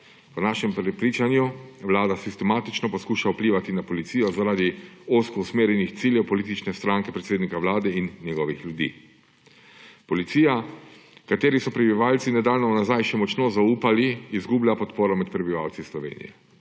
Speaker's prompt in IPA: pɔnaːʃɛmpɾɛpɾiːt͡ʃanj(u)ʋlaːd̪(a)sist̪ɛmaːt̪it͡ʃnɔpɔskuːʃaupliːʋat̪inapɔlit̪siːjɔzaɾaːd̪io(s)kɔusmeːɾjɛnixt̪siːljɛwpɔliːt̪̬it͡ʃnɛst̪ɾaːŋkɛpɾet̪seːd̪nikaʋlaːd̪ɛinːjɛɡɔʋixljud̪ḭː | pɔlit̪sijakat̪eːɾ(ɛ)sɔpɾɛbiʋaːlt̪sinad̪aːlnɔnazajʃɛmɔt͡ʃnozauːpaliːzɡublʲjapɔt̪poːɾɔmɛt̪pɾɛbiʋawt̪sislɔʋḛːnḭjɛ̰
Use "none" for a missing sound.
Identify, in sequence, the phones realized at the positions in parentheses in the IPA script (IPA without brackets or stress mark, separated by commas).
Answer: u, a, s, i